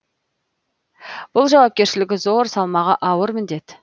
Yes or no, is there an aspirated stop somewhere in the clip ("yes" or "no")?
no